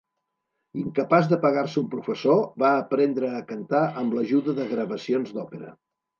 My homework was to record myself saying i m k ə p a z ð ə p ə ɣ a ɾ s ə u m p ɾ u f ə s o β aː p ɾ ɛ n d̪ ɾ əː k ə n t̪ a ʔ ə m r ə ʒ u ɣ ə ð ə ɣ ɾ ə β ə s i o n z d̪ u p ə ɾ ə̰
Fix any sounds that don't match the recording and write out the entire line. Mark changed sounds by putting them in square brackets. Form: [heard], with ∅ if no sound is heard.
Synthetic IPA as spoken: i [ŋ] k ə p a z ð ə p ə ɣ a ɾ s ə u m p ɾ u f ə s o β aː p ɾ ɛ n d̪ ɾ əː k ə n t̪ a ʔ ə m [l] ə ʒ u [ð] ə ð ə ɣ ɾ ə β ə s i o n z d̪ [ɔ] p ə ɾ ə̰